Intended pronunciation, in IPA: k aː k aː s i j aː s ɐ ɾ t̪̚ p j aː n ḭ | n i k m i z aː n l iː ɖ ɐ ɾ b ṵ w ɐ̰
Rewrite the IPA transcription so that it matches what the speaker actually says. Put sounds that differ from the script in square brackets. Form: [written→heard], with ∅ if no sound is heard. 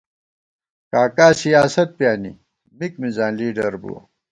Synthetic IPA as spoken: k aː k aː s i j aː s ɐ [ɾ→∅] t̪̚ p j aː n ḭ | [n→m] i k m i z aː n l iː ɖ ɐ ɾ b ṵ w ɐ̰